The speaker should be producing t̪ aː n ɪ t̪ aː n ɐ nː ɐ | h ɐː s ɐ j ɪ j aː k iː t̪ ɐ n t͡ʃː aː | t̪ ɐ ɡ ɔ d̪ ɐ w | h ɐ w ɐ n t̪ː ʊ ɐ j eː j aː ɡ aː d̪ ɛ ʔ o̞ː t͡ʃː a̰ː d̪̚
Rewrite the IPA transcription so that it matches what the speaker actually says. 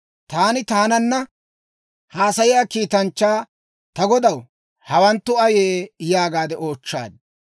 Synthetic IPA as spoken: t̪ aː n ɪ t̪ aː n ɐ nː ɐ | h aː s ɐ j ɪ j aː k iː t̪ ɐ n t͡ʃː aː | t̪ ɐ ɡ ɔ d̪ ɐ w | h ɐ w ɐ n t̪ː ʊ ɐ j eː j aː ɡ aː d̪ ɛ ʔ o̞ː t͡ʃː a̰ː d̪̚

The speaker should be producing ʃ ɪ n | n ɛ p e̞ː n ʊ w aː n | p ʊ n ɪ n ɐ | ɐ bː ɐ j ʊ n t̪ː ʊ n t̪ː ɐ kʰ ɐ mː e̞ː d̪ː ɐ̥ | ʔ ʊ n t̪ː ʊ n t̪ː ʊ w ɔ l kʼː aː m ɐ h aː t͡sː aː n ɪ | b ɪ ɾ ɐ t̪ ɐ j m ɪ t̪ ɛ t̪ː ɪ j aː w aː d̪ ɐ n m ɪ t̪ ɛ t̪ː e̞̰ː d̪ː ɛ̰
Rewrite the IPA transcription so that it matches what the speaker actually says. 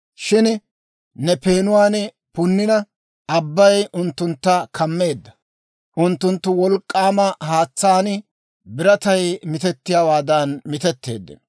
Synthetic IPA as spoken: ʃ ɪ n | n ɛ p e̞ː n ʊ w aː n | p ʊ nː ɪ n ɐ | ɐ bː ɐ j ʊ n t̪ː ʊ n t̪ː ɐ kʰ ɐ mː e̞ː d̪ː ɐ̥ | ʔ ʊ n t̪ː ʊ n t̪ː ʊ w ɔ l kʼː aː m ɐ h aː t͡sː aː n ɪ | b ɪ ɾ ɐ t̪ ɐ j m ɪ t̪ ɛ t̪ː ɪ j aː w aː d̪ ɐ n m ɪ t̪ ɛ t̪ː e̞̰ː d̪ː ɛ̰

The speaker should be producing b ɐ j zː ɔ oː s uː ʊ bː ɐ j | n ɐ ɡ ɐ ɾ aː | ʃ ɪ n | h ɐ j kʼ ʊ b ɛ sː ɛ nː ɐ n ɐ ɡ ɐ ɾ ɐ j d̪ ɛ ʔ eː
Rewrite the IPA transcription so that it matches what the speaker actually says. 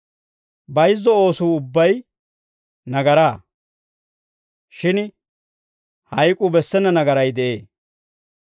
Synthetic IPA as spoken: b ɐ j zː ɔ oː s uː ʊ bː ɐ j | n ɐ ɡ ɐ ɾ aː | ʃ ɪ n | h ɐ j kʼ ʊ b ɛ sː ɛ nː ɐ n ɐ ɡ ɐ ɾ ɐ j d̪ ɛ ʔ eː

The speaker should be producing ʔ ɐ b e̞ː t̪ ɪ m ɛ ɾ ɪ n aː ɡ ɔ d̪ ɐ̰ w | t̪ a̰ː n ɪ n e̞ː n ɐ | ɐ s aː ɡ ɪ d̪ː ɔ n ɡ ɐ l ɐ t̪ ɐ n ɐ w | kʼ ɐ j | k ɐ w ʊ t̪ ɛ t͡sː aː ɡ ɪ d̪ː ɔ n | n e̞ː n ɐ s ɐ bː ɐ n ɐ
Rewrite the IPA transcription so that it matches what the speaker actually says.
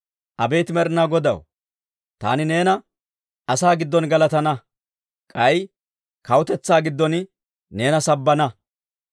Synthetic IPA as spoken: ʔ ɐ b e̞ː t̪ ɪ m ɛ ɾ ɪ n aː ɡ ɔ d̪ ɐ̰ w | t̪ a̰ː n ɪ n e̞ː n ɐ | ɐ s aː ɡ ɪ d̪ː ɔ n ɡ ɐ l ɐ t̪ ɐ n ɐ | kʼ ɐ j | k ɐ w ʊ t̪ ɛ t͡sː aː ɡ ɪ d̪ː ɔ n | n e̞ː n ɐ s ɐ bː ɐ n ɐ

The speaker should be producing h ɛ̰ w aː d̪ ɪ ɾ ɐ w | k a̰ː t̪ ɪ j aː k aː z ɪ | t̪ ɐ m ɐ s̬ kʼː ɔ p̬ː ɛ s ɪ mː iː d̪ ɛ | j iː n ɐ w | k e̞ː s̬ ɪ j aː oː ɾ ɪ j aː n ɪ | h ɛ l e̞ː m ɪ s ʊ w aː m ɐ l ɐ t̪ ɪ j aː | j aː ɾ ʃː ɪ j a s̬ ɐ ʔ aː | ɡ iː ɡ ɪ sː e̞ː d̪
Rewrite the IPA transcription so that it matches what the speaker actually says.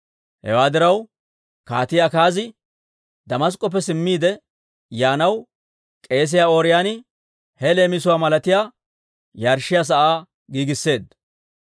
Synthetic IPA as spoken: h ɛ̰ w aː d̪ ɪ ɾ ɐ w | k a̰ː t̪ ɪ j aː k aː z ɪ | d̪ ɐ m ɐ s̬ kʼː ɔ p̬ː ɛ s ɪ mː iː d̪ ɛ | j aː n ɐ w | kʼ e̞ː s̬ ɪ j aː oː ɾ ɪ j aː n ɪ | h ɛ l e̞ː m ɪ s ʊ w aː m ɐ l ɐ t̪ ɪ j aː | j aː ɾ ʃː ɪ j a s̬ ɐ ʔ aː | ɡ iː ɡ ɪ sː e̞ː d̪

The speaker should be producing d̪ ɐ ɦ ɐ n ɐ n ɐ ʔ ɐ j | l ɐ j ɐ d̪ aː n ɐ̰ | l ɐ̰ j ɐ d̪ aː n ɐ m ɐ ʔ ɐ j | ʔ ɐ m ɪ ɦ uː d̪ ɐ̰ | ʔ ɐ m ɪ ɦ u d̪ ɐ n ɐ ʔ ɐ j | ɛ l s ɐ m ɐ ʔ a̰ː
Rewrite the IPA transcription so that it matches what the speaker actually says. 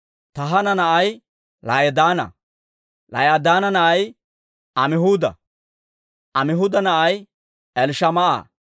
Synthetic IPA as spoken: t̪ ɐ ɦ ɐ n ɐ n ɐ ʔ ɐ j | l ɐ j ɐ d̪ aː n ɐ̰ | l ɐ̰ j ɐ d̪ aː n ɐ n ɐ ʔ ɐ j | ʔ ɐ m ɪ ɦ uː d̪ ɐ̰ | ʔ ɐ m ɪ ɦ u d̪ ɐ n ɐ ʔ ɐ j | ɛ l ʃ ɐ m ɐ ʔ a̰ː

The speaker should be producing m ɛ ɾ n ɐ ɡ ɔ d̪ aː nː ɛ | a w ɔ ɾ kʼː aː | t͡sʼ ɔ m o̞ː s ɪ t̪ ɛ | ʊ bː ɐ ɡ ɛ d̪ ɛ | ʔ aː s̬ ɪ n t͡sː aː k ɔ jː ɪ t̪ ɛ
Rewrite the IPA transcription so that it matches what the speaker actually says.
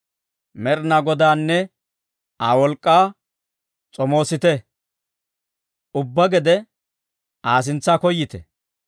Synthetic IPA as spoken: m ɛ ɾ n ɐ ɡ ɔ d̪ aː nː ɛ | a w ɔ l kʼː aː | t͡sʼ ɔ m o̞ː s ɪ t̪ ɛ | ʊ bː ɐ ɡ ɛ d̪ ɛ | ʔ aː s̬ ɪ n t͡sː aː k ɔ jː ɪ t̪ ɛ

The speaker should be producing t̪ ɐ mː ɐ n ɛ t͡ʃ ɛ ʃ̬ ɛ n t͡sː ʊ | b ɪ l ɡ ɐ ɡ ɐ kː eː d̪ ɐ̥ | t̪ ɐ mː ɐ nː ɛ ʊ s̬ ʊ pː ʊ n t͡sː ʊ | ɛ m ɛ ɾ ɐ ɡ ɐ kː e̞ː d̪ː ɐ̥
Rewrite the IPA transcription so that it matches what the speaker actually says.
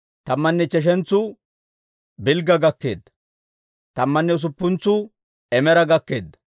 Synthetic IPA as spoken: t̪ ɐ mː ɐ nː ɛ t͡ʃ ɛ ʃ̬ ɛ n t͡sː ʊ | b ɪ l ɡ ɐ ɡ ɐ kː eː d̪ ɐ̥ | t̪ ɐ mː ɐ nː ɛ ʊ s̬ ʊ pː ʊ n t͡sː ʊ | ɛ m ɛ ɾ ɐ ɡ ɐ kː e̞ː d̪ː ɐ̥

